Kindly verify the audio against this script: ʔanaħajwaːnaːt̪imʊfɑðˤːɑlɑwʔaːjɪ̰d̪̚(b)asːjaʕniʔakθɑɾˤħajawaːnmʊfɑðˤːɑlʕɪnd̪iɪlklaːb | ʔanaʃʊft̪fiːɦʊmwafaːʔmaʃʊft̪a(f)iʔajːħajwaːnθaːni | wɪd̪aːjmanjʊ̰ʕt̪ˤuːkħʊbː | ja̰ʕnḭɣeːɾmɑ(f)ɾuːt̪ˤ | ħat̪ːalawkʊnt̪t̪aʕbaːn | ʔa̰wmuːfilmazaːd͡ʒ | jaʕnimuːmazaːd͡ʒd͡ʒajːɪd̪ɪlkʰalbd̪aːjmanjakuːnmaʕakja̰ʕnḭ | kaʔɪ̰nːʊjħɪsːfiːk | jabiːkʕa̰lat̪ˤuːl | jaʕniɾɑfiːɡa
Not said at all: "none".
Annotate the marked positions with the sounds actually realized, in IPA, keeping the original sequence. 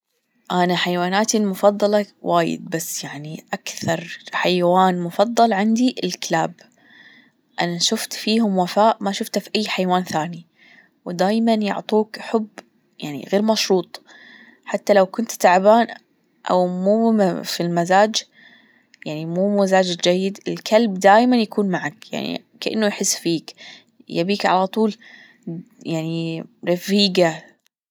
b, f, ʃ

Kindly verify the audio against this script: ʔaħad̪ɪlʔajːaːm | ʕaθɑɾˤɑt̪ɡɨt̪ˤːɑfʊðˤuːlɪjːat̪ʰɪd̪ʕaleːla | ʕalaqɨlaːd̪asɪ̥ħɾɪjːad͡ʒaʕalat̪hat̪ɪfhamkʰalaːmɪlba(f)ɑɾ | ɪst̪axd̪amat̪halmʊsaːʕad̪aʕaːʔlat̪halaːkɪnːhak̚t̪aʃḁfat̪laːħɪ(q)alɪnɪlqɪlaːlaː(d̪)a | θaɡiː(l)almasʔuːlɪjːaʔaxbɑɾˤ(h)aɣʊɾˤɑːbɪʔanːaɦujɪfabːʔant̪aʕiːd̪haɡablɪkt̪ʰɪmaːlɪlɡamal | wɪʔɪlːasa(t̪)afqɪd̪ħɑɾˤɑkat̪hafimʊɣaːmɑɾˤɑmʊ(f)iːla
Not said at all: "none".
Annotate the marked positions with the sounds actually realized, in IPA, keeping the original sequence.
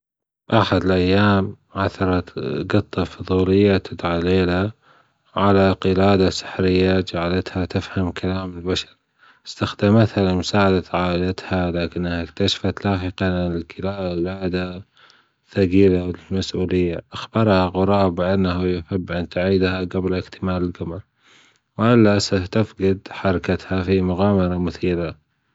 ʃ, q, d̪, l, h, t̪, θ

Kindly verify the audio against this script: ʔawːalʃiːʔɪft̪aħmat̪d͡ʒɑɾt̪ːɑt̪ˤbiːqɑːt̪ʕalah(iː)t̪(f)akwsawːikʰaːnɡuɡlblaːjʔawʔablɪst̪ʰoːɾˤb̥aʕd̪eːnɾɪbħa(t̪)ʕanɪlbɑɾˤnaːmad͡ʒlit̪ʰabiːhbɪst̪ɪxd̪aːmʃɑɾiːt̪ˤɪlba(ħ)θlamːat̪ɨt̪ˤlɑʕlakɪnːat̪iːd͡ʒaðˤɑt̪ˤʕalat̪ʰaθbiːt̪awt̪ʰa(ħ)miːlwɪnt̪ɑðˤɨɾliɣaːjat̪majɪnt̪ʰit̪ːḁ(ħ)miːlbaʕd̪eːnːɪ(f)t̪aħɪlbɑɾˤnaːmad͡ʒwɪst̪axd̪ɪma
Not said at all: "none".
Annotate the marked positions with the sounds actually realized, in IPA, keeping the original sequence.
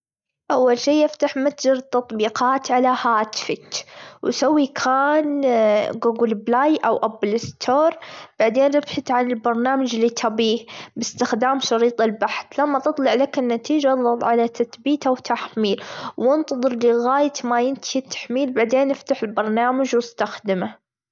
aː, f, t̪, ħ, ħ, ħ, f

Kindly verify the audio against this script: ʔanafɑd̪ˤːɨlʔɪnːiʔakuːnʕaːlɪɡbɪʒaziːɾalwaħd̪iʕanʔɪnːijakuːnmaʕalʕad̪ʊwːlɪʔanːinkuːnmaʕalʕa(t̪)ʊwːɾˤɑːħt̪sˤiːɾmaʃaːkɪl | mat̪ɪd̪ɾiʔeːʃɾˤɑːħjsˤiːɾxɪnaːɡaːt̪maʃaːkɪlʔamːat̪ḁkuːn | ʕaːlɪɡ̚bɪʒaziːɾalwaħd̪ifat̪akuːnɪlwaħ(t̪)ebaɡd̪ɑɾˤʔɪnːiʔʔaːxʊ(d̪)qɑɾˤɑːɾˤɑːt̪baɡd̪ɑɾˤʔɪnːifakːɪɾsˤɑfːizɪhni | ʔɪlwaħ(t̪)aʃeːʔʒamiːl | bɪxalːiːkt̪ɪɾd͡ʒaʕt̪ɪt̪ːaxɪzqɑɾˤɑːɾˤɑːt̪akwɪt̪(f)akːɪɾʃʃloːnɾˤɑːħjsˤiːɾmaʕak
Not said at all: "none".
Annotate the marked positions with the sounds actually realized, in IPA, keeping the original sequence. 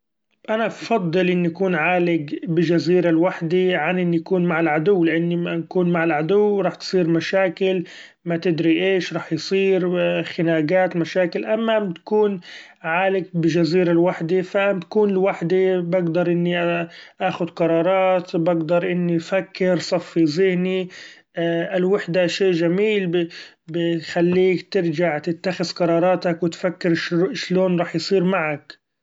d̪, d̪, d̪, d̪, f

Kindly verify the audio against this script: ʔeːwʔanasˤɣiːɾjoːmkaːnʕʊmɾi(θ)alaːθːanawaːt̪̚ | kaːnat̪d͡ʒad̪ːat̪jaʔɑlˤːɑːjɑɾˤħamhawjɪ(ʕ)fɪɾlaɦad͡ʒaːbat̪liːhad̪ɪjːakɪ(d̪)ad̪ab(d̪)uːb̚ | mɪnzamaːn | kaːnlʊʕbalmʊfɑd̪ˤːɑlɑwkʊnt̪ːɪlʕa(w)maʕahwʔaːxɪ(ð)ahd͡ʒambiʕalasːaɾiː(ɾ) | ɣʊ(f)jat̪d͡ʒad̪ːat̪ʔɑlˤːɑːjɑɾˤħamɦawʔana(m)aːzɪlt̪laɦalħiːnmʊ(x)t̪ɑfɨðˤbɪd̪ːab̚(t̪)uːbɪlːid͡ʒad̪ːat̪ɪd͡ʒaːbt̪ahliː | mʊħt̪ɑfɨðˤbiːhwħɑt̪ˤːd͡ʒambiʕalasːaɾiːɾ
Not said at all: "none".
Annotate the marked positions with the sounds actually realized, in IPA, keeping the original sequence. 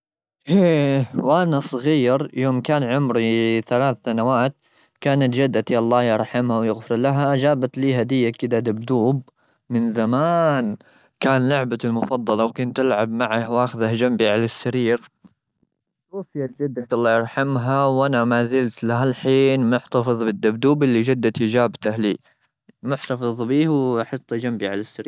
θ, ɣ, d̪, d̪, b, ð, ɾ, f, m, ħ, d̪

